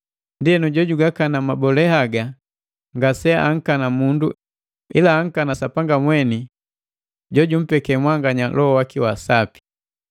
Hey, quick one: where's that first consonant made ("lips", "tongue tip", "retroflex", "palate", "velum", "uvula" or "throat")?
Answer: tongue tip